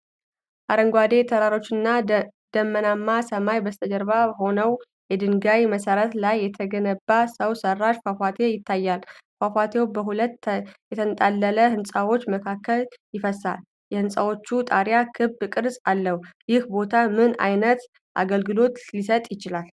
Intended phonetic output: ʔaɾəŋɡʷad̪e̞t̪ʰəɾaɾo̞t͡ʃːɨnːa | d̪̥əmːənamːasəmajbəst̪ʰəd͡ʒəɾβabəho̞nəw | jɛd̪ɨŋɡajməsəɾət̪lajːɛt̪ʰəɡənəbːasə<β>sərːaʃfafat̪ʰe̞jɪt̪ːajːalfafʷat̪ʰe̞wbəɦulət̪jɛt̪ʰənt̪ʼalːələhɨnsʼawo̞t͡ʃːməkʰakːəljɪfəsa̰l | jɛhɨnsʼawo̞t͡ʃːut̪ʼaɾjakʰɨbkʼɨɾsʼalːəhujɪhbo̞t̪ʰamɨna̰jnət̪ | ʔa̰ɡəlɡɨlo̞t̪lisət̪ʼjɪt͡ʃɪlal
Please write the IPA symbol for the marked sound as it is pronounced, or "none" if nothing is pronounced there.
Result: w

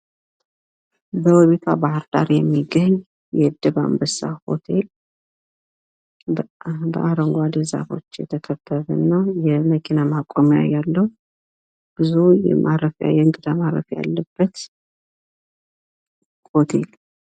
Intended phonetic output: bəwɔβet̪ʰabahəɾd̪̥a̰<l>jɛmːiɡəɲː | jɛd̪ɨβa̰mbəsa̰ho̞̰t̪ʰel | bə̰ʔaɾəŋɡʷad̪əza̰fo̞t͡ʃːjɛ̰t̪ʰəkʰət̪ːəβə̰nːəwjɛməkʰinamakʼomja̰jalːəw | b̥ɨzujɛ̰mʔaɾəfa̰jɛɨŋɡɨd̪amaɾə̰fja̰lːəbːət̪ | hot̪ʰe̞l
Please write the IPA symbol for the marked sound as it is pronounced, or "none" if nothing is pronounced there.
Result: ɾ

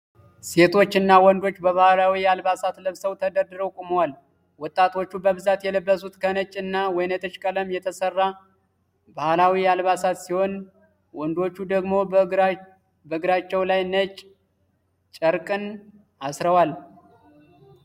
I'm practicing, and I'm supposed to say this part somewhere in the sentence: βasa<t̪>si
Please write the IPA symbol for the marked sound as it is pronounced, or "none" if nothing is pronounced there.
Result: t̪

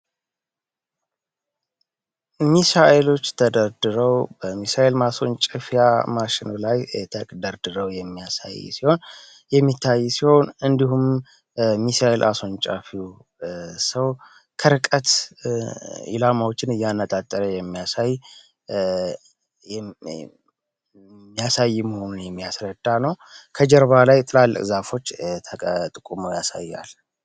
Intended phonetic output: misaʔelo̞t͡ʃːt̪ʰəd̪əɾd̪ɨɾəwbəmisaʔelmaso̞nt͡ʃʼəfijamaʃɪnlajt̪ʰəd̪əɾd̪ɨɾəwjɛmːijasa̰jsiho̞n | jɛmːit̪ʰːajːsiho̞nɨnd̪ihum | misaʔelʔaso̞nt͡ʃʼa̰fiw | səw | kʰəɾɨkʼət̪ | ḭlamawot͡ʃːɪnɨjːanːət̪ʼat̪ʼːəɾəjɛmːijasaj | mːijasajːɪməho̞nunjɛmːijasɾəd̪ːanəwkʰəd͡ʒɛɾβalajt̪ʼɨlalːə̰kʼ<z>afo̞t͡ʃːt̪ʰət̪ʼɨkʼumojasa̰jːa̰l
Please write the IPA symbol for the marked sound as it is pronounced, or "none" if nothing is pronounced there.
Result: z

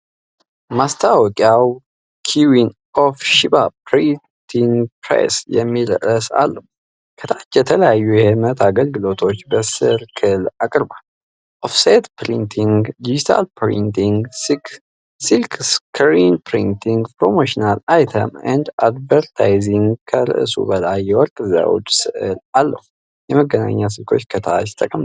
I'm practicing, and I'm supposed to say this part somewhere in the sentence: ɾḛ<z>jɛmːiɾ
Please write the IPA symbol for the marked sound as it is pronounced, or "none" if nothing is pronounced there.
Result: s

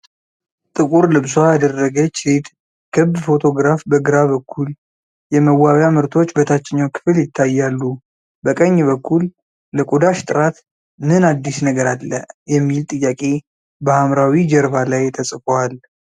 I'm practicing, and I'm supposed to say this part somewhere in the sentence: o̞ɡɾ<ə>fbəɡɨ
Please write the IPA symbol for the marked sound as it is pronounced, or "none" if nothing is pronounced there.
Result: a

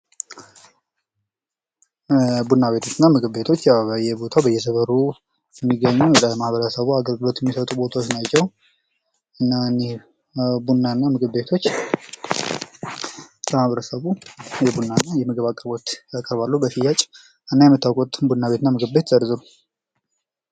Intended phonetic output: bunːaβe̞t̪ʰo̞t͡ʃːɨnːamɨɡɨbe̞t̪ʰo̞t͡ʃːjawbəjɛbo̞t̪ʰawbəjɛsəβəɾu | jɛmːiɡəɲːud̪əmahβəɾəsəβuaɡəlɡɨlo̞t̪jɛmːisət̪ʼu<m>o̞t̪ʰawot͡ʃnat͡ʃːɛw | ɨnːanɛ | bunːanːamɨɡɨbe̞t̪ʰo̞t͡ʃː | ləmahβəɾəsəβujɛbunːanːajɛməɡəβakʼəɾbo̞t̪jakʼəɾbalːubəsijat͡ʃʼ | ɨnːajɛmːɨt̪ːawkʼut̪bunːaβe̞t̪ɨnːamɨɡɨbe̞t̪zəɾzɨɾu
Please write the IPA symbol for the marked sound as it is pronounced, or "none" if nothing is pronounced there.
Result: b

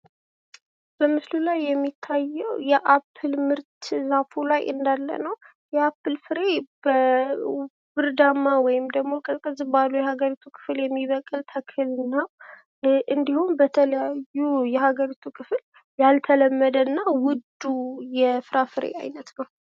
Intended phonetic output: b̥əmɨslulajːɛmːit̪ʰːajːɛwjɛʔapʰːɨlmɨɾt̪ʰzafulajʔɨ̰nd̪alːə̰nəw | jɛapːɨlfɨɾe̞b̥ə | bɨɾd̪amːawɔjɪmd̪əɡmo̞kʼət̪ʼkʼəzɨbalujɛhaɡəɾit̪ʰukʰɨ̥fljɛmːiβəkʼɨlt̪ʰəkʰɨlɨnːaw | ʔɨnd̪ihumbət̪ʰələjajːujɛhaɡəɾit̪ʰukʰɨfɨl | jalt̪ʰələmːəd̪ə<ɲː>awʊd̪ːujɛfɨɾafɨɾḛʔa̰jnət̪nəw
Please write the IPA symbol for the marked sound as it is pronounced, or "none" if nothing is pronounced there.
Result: nː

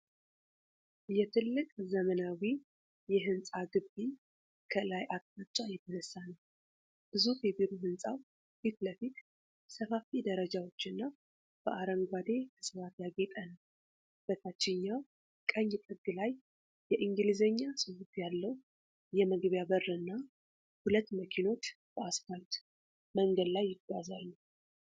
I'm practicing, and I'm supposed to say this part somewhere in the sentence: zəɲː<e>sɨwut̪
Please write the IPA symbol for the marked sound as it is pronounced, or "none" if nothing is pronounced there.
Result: a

